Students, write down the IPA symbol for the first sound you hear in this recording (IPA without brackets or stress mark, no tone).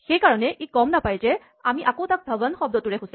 x